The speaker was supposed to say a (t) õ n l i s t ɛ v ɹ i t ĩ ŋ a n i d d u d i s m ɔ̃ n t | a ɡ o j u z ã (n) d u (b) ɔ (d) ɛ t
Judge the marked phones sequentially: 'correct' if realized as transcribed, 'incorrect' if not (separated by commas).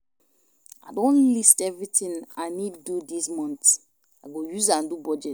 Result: incorrect, correct, correct, incorrect